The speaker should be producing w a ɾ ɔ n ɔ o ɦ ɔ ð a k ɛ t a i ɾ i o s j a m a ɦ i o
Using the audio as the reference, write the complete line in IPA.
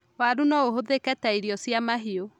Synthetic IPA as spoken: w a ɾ u n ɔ o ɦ o ð e k ɛ t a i ɾ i ɔ s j a m a ɦ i o